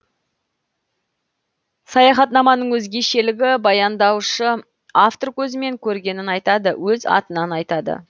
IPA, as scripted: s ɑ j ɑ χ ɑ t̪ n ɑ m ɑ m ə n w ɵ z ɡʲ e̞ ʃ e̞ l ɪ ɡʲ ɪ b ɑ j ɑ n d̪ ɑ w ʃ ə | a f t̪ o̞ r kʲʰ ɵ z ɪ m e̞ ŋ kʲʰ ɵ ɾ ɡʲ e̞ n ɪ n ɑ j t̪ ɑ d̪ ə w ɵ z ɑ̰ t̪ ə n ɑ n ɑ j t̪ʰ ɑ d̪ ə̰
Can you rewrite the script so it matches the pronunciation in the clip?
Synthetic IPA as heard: s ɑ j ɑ χ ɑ t̪ n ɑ m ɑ n ə ɴ w ɵ z ɡʲ e̞ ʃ e̞ l ɪ ɡʲ ɪ b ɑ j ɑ n d̪ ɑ w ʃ ə | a f t̪ o̞ r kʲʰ ɵ z ɪ m e̞ ŋ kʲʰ ɵ ɾ ɡʲ e̞ n ɪ n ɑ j t̪ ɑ d̪ ə w ɵ z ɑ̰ t̪ ə n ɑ n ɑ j t̪ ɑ d̪ ə̰